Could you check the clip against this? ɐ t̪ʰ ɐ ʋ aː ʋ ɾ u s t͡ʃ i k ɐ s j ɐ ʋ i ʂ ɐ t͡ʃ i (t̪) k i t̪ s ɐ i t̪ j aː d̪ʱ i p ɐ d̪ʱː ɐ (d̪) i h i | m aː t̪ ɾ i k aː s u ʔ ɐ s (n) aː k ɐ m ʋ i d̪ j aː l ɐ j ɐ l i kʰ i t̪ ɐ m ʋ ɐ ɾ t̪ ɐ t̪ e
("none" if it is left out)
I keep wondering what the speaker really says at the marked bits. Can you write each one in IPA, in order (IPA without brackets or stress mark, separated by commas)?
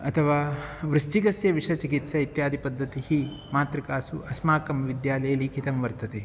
none, t̪, m